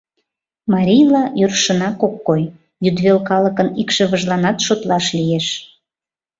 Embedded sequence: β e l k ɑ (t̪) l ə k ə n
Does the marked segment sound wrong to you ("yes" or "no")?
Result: yes